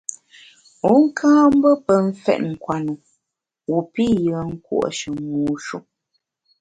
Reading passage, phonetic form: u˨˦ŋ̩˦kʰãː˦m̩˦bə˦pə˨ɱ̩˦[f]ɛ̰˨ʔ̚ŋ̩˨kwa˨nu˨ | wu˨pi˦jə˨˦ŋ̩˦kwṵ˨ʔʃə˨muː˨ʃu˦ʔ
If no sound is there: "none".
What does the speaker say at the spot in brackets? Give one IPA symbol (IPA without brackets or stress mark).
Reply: f